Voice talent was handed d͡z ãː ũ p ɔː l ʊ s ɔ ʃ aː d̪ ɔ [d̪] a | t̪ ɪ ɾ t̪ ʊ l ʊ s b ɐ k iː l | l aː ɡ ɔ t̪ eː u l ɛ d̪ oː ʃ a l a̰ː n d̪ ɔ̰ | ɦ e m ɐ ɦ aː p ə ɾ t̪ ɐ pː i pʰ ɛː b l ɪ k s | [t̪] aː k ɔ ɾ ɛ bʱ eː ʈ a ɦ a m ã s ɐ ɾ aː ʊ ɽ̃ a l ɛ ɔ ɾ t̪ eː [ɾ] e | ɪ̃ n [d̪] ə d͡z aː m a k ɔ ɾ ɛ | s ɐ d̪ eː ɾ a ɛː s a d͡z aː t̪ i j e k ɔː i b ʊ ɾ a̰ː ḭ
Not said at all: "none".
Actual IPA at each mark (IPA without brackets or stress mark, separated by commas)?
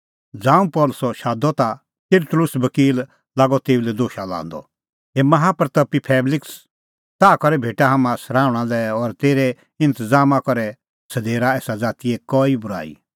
t̪, t̪, ɾ, t̪